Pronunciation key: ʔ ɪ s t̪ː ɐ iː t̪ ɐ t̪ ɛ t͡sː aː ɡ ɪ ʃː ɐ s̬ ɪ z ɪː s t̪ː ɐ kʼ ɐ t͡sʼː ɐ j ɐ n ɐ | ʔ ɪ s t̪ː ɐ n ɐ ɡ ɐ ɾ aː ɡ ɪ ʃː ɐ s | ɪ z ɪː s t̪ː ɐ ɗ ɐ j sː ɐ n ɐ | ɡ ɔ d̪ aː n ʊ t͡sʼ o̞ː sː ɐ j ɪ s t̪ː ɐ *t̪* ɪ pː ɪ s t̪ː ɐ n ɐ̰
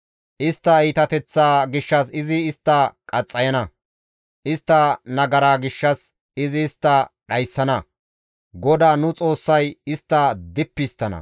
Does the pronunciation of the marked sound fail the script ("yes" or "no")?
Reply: yes